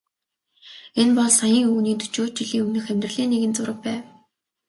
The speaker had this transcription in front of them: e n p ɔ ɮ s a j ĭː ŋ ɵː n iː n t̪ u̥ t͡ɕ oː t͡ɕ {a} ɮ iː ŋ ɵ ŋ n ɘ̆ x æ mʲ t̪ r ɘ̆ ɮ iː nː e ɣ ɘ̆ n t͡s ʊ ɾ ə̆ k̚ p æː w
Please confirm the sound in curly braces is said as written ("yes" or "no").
no